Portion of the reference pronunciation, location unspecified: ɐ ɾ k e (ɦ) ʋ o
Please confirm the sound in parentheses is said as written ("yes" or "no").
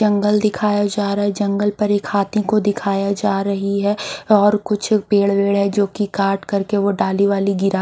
no